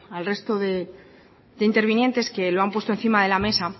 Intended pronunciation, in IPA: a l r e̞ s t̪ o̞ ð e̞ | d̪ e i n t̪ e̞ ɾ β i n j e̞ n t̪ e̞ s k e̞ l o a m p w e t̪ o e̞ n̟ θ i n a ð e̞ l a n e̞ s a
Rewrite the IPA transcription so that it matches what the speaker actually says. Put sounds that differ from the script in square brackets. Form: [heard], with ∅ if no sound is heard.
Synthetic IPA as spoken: a l r e̞ s t̪ o̞ ð e̞ | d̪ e i n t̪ e̞ ɾ β i n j e̞ n t̪ e̞ s k e̞ l o a m p w e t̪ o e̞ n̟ θ i [m] a ð e̞ l a [m] e̞ s a